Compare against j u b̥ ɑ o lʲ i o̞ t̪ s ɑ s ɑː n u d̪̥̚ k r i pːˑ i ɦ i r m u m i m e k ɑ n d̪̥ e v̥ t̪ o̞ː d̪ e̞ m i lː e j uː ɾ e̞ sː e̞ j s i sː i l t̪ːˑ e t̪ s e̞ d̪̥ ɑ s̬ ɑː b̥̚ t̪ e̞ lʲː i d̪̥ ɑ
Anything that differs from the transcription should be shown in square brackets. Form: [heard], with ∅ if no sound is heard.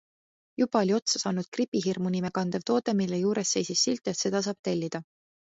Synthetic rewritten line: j u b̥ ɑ o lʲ i o̞ t̪ s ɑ s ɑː n u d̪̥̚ k r i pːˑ i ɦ i r m u [n] i m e k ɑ n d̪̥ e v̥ t̪ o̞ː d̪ e̞ m i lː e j uː ɾ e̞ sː e̞ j s i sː i l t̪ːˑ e t̪ s e̞ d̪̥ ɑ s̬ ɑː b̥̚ t̪ e̞ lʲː i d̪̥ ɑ